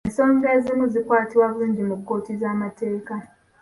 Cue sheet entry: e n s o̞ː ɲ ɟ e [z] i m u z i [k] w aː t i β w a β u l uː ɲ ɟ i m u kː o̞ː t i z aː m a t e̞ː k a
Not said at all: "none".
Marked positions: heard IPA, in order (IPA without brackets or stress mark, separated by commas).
z, k